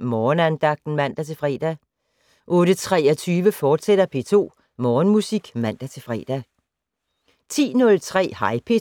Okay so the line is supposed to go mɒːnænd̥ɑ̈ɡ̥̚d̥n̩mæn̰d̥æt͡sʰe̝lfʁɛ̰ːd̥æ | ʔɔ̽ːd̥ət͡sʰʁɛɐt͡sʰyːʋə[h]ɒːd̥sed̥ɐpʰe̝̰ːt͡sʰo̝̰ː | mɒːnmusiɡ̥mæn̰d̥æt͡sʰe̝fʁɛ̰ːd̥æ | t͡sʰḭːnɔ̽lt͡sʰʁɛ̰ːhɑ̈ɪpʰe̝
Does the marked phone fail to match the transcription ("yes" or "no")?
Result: yes